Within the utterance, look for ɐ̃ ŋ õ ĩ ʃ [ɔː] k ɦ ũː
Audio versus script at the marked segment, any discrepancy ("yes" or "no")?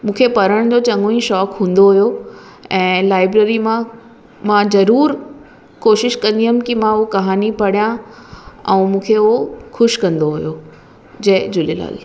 no